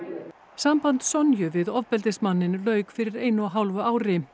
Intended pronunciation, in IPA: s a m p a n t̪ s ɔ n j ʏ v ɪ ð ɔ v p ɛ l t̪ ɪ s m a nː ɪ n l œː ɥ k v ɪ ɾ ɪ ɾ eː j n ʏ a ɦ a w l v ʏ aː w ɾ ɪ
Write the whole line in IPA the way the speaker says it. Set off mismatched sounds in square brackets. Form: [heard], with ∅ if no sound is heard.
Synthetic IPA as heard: s a m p a n t̪ s ɔ n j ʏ v ɪ ð ɔ v p ɛ l t̪ ɪ s m a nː ɪ n l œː ɥ k [f] ɪ ɾ ɪ ɾ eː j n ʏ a ɦ a w l v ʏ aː w ɾ ɪ